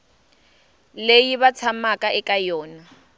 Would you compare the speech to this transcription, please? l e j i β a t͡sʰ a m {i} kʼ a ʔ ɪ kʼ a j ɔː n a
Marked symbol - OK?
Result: no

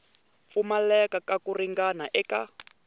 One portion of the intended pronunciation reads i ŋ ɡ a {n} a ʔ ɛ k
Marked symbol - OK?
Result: yes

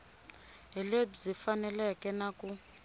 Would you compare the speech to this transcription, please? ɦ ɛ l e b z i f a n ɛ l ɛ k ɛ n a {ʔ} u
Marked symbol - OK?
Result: no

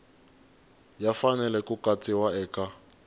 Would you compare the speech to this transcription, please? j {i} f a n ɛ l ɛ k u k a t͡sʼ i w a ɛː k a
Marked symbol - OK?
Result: no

